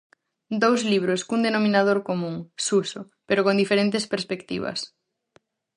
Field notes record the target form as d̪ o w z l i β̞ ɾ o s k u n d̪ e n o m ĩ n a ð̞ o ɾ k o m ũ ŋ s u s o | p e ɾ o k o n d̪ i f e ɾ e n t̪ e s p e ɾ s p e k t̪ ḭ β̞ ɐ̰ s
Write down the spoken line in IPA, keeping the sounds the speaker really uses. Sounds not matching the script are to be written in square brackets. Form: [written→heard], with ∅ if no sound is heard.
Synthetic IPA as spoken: d̪ o w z l i β̞ ɾ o s k u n d̪ e n o m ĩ n a ð̞ o ɾ k o m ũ ŋ s u s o | p e ɾ o k o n d̪ i f e ɾ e n t̪ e s p e ɾ s p e k t̪ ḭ β̞ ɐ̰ s